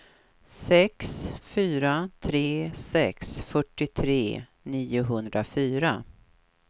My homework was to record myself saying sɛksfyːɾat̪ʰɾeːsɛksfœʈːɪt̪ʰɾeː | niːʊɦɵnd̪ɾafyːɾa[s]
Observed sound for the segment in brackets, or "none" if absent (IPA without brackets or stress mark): none